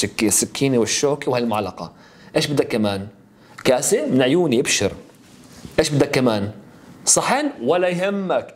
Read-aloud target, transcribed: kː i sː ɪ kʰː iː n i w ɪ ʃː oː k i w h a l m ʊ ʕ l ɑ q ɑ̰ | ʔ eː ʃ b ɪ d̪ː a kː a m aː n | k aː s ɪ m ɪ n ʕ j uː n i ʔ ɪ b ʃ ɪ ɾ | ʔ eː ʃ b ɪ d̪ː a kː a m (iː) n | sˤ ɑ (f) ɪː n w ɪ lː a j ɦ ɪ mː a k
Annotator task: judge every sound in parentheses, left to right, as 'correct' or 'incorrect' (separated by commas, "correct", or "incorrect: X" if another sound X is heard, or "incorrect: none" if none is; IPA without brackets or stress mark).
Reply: incorrect: aː, incorrect: ħ